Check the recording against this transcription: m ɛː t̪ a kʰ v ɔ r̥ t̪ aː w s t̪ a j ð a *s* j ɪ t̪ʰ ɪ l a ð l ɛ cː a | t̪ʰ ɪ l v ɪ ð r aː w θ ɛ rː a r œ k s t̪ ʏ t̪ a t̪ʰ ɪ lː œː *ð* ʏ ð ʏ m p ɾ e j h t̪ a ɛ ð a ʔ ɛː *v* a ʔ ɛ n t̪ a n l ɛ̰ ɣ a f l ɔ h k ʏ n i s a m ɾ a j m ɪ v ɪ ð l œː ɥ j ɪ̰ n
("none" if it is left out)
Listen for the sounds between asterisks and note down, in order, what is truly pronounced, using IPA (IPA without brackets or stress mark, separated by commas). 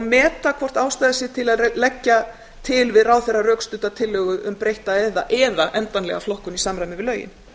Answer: s, ɣ, ð